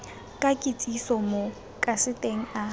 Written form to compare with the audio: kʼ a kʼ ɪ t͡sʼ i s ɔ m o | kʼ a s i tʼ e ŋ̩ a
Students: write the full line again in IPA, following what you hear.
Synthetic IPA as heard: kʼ a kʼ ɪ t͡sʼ i s ɔ m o | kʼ a s ɪ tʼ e ŋ̩ a